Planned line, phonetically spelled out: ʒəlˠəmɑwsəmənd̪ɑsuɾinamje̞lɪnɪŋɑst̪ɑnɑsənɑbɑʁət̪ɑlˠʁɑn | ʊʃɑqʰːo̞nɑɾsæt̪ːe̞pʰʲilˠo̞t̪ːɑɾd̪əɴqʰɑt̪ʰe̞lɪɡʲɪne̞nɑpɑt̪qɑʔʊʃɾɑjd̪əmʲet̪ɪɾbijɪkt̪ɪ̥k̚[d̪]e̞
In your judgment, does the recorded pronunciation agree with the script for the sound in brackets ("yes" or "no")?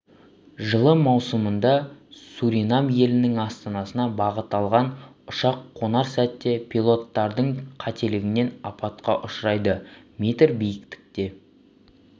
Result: no